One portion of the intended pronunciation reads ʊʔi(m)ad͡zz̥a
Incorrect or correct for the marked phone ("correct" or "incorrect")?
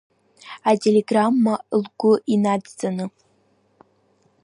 incorrect